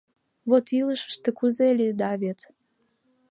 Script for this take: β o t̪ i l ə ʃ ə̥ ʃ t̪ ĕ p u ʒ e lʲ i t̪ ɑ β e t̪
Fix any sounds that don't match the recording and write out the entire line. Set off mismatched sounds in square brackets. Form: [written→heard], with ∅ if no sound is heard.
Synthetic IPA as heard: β o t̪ i l ə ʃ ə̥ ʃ t̪ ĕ [p→k] u [ʒ→z] e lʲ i [t̪→d̪] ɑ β e t̪